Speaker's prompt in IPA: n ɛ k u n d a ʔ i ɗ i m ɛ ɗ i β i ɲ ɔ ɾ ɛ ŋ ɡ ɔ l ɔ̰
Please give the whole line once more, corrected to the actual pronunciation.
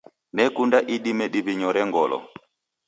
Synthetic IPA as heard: n ɛ k u n d a ʔ i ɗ i m ɛ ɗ i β i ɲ ɔ ɾ ɛ ŋ ɡ ɔ l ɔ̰